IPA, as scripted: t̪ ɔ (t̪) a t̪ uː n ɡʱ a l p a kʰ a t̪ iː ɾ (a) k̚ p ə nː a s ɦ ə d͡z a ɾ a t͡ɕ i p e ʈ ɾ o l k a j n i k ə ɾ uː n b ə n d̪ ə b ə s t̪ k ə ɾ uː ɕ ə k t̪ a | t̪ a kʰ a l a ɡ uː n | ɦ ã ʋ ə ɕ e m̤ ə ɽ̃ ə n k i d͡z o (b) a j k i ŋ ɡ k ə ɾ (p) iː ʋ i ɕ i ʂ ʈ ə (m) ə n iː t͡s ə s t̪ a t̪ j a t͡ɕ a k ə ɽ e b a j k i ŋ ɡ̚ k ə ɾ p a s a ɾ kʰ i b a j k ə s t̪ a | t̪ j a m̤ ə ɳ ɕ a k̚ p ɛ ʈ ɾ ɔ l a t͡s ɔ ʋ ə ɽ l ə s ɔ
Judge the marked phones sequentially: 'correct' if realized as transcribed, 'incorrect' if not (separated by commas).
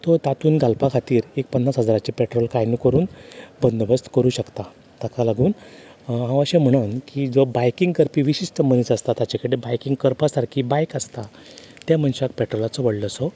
correct, incorrect, correct, correct, correct